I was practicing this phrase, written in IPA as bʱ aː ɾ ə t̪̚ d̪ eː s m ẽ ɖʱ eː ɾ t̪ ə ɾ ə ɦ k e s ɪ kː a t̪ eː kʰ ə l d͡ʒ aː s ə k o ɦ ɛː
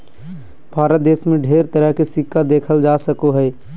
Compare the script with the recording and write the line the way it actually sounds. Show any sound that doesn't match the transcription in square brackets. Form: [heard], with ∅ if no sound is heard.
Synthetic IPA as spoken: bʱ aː ɾ ə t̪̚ d̪ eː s m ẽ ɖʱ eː ɾ t̪ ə ɾ ə ɦ k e s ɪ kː a [d̪] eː kʰ ə l d͡ʒ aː s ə k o ɦ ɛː